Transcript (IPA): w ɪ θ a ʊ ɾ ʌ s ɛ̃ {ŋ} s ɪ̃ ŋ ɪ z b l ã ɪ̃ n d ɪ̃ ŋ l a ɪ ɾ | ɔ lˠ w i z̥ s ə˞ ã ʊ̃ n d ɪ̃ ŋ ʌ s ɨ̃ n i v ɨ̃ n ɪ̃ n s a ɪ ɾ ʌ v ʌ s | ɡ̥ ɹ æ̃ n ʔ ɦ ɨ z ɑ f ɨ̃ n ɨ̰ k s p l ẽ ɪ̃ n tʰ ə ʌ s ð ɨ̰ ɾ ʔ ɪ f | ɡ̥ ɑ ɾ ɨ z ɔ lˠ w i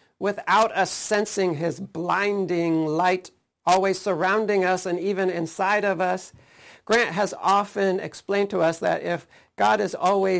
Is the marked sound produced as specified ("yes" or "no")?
no